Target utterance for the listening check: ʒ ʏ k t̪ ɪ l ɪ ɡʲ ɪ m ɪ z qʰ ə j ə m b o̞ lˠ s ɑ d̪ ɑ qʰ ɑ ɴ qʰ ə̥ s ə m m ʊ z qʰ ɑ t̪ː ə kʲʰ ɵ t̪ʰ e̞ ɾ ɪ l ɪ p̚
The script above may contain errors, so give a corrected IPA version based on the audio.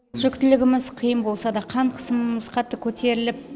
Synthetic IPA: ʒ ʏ k t̪ ɪ l ɪ ɡʲ ɪ m ɪ z qʰ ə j ə m b o̞ lˠ s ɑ d̪ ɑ qʰ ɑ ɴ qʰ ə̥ s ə m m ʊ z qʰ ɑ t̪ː ə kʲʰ ɵ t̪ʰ e̞ ɾ ɪ l ɪ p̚